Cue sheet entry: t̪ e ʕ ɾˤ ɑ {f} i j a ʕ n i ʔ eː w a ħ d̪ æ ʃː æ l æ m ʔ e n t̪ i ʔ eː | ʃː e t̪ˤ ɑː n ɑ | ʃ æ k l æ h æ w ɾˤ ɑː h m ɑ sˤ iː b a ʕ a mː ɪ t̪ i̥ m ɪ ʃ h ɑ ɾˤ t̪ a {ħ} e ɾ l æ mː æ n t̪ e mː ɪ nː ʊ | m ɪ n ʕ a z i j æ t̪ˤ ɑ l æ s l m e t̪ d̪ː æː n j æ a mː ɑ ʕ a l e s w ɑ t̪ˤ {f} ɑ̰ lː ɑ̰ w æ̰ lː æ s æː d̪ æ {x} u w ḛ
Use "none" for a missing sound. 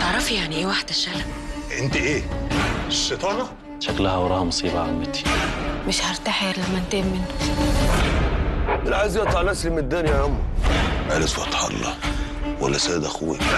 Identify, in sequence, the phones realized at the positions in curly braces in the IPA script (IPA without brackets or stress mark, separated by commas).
f, ħ, ħ, x